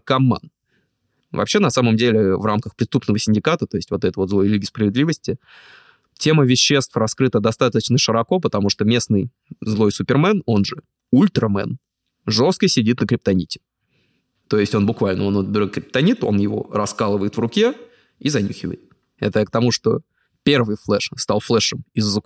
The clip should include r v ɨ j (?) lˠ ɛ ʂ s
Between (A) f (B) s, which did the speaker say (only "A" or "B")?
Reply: A